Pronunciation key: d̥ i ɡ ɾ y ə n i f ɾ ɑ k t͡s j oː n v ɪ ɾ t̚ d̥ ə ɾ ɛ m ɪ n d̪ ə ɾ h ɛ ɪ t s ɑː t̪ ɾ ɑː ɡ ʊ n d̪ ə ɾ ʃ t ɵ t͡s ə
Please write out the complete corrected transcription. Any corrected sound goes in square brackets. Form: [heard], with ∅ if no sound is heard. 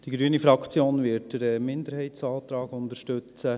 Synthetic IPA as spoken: d̥ i ɡ ɾ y ə n i f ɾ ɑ k t͡s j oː n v ɪ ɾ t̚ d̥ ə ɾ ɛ m ɪ n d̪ ə ɾ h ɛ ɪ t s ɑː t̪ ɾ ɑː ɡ ʊ n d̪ ə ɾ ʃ t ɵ t͡s ə